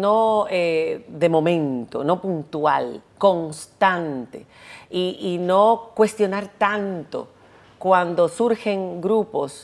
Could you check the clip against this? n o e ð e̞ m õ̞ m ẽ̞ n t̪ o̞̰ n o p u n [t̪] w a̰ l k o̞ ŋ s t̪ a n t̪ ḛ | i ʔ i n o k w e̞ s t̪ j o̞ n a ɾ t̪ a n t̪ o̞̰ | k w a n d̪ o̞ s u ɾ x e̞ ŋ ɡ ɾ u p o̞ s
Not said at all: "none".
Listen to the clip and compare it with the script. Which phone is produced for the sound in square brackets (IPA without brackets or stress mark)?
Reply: t̪